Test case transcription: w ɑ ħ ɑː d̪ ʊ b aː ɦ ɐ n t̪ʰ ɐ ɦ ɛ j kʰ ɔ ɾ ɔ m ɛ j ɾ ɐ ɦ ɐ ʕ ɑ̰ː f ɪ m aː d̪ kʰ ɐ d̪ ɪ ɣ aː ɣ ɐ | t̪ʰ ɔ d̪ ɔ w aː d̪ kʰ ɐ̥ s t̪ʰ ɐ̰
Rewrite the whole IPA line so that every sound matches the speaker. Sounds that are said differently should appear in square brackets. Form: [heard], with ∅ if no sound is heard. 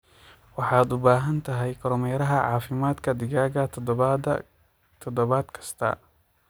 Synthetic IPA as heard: w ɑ ħ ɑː d̪ ʊ b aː ɦ ɐ n t̪ʰ ɐ ɦ ɛ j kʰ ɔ ɾ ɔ m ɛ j ɾ ɐ ɦ ɐ ʕ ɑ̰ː f ɪ m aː d̪ kʰ ɐ d̪ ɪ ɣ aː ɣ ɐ | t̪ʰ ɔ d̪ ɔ [β] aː d̪ kʰ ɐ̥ s t̪ʰ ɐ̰